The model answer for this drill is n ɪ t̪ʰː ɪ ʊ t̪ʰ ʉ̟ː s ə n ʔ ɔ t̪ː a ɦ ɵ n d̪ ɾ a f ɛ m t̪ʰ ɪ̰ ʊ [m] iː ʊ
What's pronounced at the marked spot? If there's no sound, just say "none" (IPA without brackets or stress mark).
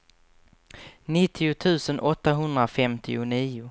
n